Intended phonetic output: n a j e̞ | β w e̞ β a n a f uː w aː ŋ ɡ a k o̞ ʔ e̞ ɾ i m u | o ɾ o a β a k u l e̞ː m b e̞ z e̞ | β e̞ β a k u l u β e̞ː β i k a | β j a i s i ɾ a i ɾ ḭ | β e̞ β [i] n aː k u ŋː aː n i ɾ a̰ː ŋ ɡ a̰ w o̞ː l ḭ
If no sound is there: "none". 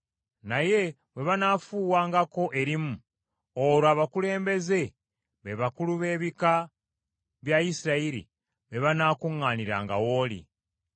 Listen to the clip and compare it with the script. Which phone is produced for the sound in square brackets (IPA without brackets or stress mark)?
a